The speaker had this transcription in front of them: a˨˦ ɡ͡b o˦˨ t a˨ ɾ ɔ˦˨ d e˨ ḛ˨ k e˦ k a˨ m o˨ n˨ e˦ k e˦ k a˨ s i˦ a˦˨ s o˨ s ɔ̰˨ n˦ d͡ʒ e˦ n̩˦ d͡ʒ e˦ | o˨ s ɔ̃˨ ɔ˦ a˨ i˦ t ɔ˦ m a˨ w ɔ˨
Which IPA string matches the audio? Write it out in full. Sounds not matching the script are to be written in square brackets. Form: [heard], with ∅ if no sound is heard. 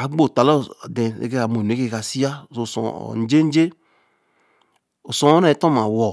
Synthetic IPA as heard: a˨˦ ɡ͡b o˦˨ t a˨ [l] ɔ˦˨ d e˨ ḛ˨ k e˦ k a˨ m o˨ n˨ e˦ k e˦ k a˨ s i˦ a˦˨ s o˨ s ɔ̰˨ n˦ d͡ʒ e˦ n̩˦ d͡ʒ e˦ | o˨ s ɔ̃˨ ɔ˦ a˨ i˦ t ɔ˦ m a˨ w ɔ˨